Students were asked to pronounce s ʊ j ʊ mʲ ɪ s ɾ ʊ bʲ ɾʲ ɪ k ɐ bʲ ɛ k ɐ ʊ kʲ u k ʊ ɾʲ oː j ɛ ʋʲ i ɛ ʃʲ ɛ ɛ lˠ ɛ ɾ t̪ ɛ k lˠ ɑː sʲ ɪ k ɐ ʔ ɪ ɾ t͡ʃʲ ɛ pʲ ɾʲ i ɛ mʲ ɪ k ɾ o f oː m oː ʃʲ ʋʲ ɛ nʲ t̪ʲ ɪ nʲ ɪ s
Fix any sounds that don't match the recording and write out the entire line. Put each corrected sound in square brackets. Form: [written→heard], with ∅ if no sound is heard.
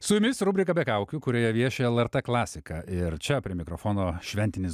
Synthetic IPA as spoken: s ʊ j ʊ mʲ ɪ s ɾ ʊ bʲ ɾʲ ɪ k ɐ bʲ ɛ k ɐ ʊ kʲ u k ʊ ɾʲ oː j ɛ ʋʲ i ɛ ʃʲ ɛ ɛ lˠ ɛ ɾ t̪ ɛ k lˠ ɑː sʲ ɪ k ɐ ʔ ɪ ɾ t͡ʃʲ ɛ pʲ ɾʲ i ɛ mʲ ɪ k ɾ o f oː [m→n] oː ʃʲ ʋʲ ɛ nʲ t̪ʲ ɪ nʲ ɪ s